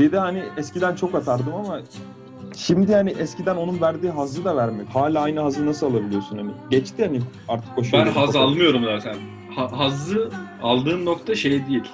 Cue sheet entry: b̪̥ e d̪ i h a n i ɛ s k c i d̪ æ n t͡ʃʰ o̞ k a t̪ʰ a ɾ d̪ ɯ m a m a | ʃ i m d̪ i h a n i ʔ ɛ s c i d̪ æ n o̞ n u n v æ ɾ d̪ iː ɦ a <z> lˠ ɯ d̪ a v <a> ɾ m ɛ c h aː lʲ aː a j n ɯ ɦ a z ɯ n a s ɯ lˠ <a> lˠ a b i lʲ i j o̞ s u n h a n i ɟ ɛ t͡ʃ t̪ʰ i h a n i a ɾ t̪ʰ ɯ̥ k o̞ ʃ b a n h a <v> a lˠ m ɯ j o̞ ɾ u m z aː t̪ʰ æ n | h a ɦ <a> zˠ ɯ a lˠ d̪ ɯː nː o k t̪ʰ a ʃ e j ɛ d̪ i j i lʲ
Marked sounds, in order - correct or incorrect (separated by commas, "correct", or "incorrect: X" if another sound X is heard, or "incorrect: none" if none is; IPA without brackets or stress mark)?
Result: correct, incorrect: æ, correct, incorrect: z, correct